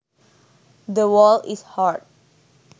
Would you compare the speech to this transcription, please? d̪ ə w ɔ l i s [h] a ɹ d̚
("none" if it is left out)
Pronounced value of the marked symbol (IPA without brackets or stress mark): h